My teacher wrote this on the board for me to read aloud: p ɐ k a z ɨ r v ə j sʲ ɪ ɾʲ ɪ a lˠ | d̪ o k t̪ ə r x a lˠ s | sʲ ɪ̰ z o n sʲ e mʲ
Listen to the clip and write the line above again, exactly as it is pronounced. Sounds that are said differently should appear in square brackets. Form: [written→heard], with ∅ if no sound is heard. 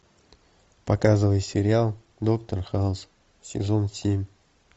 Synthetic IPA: p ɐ k a z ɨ [r→∅] v ə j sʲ ɪ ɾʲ ɪ a lˠ | d̪ o k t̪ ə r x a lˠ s | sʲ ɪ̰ z o n sʲ e mʲ